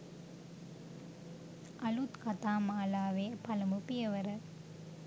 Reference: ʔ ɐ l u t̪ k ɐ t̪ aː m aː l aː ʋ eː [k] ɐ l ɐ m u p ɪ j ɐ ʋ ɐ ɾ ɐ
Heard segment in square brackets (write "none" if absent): p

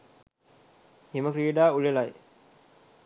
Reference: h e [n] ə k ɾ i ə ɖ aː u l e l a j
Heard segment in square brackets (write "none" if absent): m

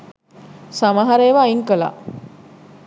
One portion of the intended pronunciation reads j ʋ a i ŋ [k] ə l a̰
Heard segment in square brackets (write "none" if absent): k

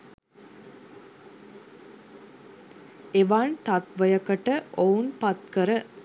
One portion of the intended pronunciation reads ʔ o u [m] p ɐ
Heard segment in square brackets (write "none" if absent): n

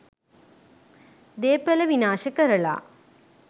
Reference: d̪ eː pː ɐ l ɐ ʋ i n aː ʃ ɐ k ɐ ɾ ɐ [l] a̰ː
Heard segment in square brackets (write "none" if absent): ɭ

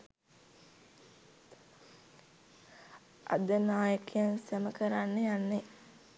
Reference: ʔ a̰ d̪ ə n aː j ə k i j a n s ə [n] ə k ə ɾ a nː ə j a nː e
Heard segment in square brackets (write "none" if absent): m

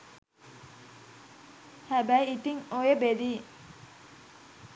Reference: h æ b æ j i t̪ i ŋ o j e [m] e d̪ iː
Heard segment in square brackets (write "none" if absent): b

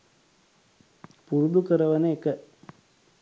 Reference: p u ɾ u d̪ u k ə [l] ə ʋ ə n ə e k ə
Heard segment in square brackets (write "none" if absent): ɾ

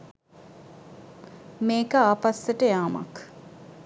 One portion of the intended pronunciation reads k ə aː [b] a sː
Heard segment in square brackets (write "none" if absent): p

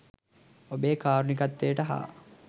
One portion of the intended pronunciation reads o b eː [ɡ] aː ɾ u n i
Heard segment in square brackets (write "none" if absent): k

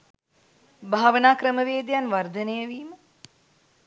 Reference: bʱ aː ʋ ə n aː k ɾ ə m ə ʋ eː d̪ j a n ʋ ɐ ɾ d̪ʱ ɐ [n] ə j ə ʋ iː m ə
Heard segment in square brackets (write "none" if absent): n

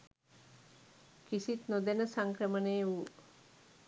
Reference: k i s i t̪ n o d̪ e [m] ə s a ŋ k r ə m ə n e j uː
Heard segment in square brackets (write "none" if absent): n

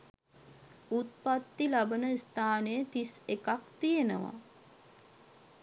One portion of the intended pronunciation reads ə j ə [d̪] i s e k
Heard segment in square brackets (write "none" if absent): t̪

